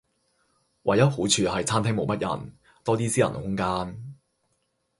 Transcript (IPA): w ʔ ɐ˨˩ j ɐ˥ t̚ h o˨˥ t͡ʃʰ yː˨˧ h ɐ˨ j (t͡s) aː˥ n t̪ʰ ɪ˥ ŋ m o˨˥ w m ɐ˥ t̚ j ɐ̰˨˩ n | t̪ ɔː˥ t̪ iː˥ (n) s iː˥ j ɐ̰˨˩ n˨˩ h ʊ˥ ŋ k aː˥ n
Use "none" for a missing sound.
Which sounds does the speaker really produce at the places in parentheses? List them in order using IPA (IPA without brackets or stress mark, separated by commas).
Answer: t͡sʰ, none